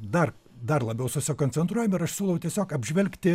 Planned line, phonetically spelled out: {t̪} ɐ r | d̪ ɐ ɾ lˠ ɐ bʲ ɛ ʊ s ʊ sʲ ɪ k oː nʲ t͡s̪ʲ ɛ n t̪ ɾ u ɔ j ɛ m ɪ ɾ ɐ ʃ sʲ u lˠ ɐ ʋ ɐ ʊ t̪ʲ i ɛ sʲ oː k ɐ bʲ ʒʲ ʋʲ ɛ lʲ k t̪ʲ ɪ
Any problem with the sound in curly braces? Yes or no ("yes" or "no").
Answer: yes